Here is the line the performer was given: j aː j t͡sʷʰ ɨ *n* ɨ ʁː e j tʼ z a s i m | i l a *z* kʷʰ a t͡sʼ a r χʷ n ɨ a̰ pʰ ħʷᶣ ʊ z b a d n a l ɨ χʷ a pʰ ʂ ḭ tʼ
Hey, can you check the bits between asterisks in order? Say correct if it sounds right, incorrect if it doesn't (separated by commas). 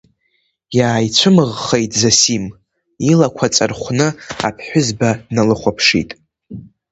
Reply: incorrect, incorrect